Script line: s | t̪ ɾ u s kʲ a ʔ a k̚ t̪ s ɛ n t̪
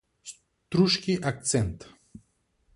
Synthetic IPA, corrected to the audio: s | t̪ ɾ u ʃ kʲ i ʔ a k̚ t̪ s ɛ n t̪